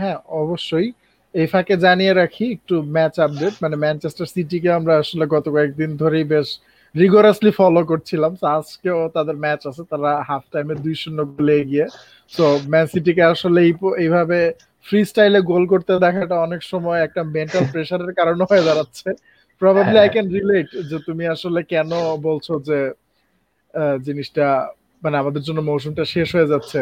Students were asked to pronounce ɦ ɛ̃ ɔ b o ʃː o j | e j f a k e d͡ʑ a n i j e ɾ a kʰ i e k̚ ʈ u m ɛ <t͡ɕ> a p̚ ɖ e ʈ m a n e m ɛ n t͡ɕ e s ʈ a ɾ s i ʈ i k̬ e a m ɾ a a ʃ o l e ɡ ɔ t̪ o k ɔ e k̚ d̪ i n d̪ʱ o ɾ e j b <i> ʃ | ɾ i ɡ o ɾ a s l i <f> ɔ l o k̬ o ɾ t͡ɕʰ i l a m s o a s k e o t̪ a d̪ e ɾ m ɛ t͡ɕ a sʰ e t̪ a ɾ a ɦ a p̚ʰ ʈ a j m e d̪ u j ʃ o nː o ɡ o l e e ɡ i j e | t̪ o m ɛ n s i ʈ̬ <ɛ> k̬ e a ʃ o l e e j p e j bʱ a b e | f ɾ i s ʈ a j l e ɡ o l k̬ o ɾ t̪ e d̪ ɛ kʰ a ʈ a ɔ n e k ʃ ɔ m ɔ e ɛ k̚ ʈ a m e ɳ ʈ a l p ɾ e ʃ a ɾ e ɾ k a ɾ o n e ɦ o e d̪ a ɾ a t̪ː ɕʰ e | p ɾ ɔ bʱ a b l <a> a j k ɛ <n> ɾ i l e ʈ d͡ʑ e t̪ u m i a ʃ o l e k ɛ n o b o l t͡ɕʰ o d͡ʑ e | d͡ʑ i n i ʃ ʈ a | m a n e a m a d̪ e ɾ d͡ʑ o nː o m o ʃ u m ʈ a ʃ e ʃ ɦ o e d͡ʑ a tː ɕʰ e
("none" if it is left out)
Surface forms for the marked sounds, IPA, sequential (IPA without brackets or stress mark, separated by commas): t͡ɕ, e, f, i, i, n